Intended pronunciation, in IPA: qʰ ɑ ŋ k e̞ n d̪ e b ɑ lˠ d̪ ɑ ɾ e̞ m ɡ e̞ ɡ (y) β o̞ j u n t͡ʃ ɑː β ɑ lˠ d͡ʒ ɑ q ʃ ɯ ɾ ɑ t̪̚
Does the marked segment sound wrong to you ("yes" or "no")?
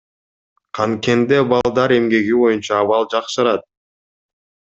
yes